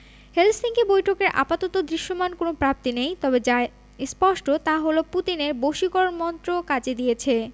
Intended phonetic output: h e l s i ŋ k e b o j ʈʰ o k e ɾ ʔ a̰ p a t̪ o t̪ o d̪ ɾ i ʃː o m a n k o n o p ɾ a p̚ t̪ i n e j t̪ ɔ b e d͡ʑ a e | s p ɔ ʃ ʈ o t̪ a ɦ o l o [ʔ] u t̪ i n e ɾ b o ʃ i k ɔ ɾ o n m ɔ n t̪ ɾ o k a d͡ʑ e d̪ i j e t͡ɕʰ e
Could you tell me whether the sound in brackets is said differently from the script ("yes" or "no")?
yes